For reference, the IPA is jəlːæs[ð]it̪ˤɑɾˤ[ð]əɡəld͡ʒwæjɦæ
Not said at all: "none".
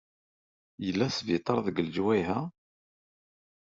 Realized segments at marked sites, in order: v, ð

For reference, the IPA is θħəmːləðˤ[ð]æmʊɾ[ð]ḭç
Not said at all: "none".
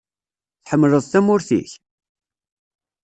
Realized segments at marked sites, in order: θ, θ

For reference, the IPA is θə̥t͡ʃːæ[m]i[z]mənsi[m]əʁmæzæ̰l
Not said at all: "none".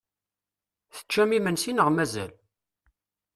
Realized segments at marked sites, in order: m, none, n

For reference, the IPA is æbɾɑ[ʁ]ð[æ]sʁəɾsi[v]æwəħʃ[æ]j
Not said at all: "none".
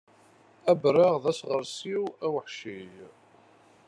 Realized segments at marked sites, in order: ʁ, æ, w, i

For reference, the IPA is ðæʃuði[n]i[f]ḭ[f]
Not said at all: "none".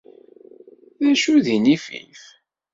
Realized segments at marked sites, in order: n, f, θ

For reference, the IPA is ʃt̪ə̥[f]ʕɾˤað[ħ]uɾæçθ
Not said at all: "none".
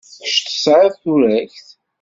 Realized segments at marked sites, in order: s, θ

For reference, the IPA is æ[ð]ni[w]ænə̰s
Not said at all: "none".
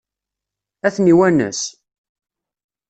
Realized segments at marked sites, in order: θ, w

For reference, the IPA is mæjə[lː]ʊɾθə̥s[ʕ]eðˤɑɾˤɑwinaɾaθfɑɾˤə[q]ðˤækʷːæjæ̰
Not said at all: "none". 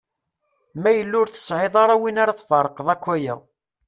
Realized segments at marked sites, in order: lː, ʕ, q

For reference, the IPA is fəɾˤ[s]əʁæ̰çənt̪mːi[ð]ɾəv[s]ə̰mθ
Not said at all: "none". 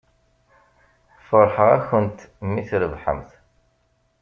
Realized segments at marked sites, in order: ħ, θ, ħ

